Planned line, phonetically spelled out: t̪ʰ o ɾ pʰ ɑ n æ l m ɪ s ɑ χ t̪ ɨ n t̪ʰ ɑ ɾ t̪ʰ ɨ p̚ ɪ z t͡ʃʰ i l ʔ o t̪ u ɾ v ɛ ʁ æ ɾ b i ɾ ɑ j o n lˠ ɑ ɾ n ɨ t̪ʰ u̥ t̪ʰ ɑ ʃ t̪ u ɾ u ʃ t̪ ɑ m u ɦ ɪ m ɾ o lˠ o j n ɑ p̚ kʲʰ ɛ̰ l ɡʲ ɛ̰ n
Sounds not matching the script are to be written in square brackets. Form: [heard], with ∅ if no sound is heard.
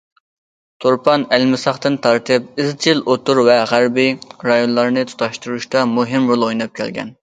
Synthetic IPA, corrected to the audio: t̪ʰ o ɾ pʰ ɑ n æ l m ɪ s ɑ χ t̪ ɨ n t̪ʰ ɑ ɾ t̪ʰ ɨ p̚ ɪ z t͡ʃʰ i l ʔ o t̪ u ɾ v ɛ ʁ æ ɾ b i ɾ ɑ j o n lˠ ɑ ɾ n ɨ t̪ʰ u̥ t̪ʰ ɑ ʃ t̪ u ɾ u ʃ t̪ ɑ m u ɦ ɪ m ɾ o lˠ o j n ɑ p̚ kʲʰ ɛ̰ l ɡʲ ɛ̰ n